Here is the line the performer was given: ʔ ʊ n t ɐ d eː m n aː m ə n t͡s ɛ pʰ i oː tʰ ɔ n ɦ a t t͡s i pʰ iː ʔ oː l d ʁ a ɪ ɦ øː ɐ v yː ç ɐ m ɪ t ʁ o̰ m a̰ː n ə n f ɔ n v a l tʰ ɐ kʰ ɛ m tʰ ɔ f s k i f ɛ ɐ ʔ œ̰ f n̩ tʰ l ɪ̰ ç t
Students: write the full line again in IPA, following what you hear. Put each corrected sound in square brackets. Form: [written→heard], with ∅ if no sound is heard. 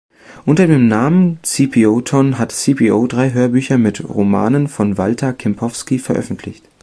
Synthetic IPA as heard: ʔ ʊ n t ɐ d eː m n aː m ə n t͡s [ɛ→i] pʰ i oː tʰ ɔ n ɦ a t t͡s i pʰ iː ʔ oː [l→∅] d ʁ a ɪ ɦ øː ɐ [v→b] yː ç ɐ m ɪ t ʁ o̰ m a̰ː n ə n f ɔ n v a l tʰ ɐ kʰ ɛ m [tʰ→pʰ] ɔ f s k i f ɛ ɐ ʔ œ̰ f n̩ tʰ l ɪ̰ ç t